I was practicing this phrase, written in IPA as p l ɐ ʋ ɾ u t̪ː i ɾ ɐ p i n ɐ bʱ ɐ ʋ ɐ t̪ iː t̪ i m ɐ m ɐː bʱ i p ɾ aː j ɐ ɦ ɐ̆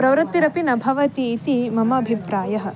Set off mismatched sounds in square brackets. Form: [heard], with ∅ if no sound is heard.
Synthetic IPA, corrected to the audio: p [ɾ] ɐ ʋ ɾ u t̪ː i ɾ ɐ p i n ɐ bʱ ɐ ʋ ɐ t̪ iː t̪ i m ɐ m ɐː bʱ i p ɾ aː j ɐ ɦ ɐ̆